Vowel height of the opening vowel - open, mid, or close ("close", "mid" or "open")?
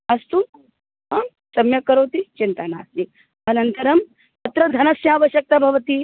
open